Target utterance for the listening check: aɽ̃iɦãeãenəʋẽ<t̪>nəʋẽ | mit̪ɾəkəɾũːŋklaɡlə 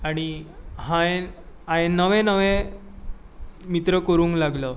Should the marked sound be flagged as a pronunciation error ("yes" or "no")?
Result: yes